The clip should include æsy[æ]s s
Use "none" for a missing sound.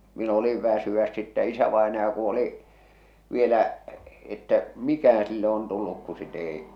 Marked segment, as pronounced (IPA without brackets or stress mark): æ